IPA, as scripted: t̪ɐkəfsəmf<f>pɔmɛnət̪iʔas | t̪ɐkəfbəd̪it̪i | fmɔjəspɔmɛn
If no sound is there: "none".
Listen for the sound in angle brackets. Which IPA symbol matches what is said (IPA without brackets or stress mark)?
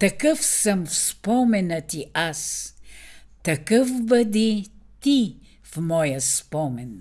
s